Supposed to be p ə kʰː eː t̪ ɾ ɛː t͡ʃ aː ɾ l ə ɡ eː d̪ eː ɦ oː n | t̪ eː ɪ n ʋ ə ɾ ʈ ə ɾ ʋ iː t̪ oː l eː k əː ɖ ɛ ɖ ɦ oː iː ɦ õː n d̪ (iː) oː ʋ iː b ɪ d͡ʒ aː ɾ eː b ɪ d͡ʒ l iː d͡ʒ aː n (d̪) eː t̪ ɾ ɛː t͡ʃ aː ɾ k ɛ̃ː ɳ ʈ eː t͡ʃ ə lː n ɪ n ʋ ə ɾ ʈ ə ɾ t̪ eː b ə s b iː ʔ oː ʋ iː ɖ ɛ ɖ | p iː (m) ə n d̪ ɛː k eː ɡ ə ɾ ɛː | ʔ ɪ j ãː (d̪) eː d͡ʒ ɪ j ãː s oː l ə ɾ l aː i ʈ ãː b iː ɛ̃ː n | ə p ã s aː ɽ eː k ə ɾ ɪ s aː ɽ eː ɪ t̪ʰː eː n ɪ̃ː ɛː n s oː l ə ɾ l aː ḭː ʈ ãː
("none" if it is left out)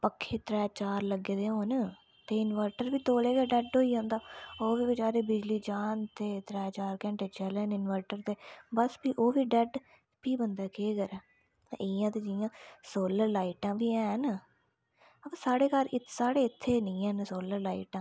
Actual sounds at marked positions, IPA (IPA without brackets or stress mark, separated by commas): aː, t̪, b, t̪